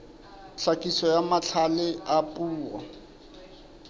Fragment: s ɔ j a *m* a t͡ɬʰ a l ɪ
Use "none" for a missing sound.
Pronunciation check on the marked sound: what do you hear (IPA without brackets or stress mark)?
m